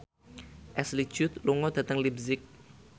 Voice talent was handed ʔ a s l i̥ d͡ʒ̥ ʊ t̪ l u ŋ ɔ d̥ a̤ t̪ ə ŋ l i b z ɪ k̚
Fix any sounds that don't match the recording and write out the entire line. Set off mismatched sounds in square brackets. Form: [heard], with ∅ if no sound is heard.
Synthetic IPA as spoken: ʔ [ɛ] s l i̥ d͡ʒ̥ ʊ t̪ l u ŋ ɔ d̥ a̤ t̪ ə ŋ l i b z ɪ k̚